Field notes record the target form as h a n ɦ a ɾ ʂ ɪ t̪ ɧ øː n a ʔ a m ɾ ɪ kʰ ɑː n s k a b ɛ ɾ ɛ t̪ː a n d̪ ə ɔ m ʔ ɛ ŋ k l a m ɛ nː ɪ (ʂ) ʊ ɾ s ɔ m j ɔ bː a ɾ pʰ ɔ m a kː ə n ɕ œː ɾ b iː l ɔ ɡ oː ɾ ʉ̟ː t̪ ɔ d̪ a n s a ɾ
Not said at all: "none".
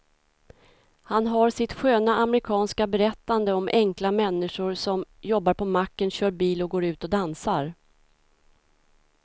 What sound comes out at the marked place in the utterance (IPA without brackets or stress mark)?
ʂ